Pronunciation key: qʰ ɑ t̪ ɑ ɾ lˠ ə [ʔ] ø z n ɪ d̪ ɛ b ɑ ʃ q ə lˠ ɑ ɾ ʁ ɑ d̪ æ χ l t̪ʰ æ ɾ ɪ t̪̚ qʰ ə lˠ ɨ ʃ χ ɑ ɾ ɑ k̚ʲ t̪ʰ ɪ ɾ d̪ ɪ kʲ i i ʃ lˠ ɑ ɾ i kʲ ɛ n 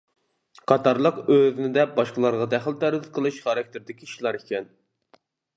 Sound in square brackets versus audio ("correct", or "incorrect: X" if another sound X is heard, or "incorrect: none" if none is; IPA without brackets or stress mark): incorrect: q